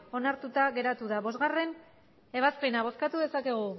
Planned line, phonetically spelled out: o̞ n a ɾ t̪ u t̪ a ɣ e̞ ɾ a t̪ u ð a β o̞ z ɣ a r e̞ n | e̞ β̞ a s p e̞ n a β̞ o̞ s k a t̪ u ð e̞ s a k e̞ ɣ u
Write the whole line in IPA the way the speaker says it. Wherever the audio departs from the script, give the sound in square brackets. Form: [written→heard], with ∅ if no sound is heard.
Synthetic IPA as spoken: o̞ n a ɾ t̪ u t̪ a ɣ e̞ ɾ a t̪ u ð a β o̞ z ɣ a r e̞ n | e̞ β̞ a s p e̞ n a β̞ o̞ s k a t̪ u ð e̞ s a k e̞ ɣ u